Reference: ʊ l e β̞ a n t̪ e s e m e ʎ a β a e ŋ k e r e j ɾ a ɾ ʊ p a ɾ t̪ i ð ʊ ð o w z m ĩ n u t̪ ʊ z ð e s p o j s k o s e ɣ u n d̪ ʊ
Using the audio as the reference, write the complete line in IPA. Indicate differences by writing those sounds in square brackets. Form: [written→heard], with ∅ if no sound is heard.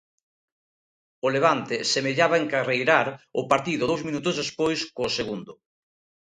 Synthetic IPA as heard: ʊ l e β̞ a n t̪ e s e m e ʎ a β a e ŋ k [e→a] r e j ɾ a ɾ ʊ p a ɾ t̪ i ð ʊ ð o w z m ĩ n u t̪ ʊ z ð e s p o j s k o s e ɣ u n d̪ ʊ